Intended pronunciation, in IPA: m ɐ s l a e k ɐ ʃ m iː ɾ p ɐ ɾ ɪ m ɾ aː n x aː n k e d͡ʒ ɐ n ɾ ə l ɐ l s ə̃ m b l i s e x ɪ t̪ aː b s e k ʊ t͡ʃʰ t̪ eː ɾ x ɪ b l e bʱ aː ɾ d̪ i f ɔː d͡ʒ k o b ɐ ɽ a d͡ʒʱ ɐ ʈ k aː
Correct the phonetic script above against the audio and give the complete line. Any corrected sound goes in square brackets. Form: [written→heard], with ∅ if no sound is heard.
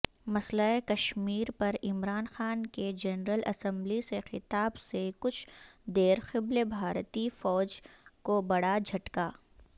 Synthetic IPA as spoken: m ɐ s l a e k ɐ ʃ m iː ɾ p ɐ ɾ ɪ m ɾ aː n x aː n k e d͡ʒ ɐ n ɾ ə l ɐ [l→∅] s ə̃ m b l i s e x ɪ t̪ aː b s e k ʊ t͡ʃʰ [t̪→d̪] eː ɾ x ɪ b l e bʱ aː ɾ [d̪→t̪] i f ɔː d͡ʒ k o b ɐ ɽ a d͡ʒʱ ɐ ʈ k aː